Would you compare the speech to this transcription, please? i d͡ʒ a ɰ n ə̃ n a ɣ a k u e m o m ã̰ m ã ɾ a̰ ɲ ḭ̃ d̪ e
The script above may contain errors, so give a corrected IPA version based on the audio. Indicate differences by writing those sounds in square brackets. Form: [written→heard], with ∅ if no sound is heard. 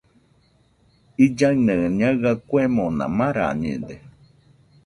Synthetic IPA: i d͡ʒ a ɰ n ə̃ [n→ɲ] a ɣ a k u e m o [m→n] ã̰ m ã ɾ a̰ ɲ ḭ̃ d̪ e